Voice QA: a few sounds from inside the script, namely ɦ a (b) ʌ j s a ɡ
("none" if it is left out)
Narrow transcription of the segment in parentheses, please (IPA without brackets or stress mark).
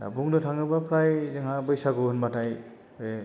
b